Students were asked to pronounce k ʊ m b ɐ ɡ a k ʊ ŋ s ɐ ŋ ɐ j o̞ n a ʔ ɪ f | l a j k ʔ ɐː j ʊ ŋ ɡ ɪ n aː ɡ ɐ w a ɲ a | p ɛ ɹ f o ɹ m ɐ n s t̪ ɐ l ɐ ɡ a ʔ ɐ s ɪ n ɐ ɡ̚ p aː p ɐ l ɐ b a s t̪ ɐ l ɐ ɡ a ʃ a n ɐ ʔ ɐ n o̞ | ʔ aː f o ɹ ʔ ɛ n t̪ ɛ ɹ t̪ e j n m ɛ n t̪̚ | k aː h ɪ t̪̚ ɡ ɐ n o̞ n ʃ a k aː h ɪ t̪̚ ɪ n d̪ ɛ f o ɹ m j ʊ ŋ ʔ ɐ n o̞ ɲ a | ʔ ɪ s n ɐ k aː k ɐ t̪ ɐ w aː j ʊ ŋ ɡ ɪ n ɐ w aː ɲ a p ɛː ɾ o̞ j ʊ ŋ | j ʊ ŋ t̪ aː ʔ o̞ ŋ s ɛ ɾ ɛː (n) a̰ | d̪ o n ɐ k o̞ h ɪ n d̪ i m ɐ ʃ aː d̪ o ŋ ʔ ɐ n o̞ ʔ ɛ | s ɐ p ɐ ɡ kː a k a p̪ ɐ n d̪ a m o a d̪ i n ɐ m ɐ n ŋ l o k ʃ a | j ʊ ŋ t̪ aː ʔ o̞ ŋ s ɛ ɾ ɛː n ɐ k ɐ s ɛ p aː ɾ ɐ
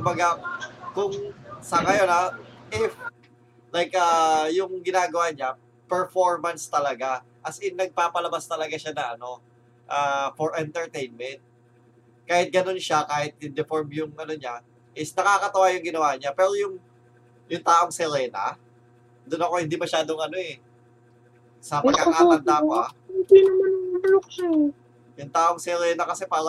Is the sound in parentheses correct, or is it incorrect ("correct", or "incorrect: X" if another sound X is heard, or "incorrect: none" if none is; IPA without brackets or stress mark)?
correct